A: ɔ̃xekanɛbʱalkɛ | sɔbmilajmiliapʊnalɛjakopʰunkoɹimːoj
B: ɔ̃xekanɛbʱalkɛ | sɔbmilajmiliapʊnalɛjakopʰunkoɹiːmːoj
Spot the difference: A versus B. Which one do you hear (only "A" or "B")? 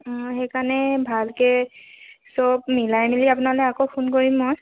A